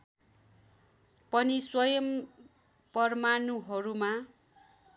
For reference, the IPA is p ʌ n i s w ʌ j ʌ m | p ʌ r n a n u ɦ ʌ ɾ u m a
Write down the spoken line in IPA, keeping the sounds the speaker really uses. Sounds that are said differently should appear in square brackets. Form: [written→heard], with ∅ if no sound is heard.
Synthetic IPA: p ʌ n i s w ʌ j ʌ m | p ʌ r [n→m] a n u ɦ ʌ ɾ u m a